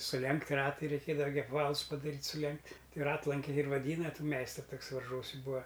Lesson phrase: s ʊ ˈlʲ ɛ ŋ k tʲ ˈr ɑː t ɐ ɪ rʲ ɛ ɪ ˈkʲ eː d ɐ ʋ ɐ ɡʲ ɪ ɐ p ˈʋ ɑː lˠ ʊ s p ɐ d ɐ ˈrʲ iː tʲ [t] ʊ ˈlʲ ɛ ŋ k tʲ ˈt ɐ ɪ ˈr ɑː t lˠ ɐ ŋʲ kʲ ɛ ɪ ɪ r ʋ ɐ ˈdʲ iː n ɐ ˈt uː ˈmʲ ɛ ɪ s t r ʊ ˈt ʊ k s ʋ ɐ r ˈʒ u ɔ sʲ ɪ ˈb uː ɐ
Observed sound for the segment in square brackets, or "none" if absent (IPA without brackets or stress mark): s